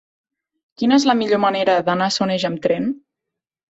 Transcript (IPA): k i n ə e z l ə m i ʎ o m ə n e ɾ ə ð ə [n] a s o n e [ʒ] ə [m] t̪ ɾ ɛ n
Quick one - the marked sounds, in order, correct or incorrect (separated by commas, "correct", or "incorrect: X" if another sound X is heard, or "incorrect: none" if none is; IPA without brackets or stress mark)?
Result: correct, correct, correct